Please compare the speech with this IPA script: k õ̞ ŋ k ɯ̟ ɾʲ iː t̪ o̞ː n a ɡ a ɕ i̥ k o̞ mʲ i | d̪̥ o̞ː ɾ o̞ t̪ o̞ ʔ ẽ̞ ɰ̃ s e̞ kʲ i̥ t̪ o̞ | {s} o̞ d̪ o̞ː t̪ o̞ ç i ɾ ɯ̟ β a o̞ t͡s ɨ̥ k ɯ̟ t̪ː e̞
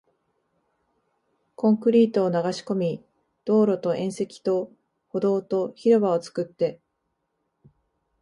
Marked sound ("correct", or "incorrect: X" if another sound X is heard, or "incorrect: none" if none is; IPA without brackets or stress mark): incorrect: h